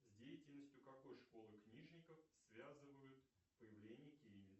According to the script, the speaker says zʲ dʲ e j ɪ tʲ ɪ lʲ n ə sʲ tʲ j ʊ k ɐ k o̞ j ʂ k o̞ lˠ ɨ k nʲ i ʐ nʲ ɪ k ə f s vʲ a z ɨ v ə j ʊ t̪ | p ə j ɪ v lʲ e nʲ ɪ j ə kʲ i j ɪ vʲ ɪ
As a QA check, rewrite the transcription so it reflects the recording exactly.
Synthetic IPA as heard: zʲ dʲ e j ɪ tʲ ɪ lʲ n ə sʲ tʲ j ʊ k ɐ k o̞ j ʂ k o̞ lˠ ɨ k nʲ i ʐ nʲ ɪ k ə f s vʲ a z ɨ v ə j ʊ t̪ | p ə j ɪ v lʲ e nʲ ɪ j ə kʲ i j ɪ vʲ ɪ